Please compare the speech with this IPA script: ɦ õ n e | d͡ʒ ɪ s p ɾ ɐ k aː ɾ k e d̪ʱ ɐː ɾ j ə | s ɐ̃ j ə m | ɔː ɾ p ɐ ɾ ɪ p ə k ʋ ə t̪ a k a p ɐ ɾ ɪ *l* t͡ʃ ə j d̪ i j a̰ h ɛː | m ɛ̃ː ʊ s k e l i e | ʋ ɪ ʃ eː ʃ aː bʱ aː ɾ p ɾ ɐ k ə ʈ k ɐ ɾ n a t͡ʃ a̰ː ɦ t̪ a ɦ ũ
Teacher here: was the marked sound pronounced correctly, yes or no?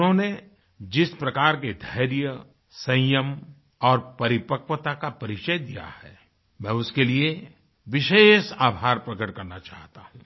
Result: no